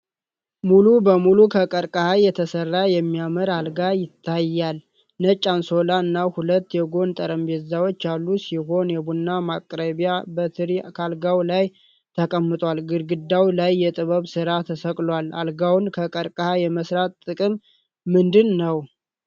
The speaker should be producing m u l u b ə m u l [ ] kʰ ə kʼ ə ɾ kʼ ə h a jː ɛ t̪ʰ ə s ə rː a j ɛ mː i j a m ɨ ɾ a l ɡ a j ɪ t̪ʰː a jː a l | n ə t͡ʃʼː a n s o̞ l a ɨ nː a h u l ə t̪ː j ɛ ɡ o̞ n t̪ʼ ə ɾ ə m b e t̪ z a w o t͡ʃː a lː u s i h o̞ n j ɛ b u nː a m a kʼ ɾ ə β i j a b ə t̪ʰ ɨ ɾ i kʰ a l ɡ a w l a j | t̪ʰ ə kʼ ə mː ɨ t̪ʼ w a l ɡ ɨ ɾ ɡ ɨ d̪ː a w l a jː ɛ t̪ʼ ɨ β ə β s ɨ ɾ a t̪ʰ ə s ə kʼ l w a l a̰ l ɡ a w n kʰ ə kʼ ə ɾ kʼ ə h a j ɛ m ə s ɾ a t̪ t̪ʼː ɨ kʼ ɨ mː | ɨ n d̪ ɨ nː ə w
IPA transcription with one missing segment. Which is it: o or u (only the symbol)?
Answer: u